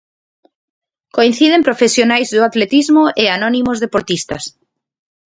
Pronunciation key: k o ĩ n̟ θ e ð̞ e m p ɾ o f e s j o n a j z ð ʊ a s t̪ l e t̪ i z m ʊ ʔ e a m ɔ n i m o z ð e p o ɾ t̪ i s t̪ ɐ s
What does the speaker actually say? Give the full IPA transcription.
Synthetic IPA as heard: k o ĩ n̟ θ i ð̞ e m p ɾ o f e s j o n a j z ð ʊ a t̪ l e t̪ i z m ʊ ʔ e a n ɔ n i m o z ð e p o ɾ t̪ i s t̪ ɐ s